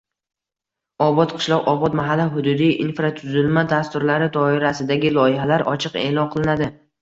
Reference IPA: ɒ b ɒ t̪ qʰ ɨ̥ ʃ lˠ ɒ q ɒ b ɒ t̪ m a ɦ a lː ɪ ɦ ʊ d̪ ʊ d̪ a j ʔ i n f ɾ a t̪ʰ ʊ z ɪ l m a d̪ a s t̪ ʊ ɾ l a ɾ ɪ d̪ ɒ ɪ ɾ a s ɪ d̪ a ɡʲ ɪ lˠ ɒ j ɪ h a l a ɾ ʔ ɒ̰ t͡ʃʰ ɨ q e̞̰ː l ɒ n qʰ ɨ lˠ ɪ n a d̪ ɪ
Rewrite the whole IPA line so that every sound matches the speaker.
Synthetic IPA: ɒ b ɒ t̪ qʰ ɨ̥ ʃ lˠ ɒ q ɒ b ɒ t̪ m a ɦ a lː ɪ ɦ ʊ d̪ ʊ d̪ i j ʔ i n f ɾ a t̪ʰ ʊ z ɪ l m a d̪ a s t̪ ʊ ɾ l a ɾ ɪ d̪ ɒ ɪ ɾ a s ɪ d̪ a ɡʲ ɪ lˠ ɒ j ɪ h a l a ɾ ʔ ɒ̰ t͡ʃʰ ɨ q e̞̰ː l ɒ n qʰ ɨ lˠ ɪ n a d̪ ɪ